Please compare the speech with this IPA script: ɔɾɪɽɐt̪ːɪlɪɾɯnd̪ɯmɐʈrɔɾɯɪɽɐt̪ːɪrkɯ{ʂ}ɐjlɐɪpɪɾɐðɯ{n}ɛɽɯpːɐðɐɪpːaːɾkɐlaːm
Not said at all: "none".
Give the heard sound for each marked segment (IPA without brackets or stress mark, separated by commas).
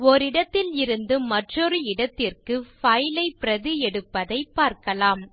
f, none